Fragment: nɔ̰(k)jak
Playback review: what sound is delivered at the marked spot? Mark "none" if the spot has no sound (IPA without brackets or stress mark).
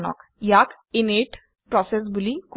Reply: k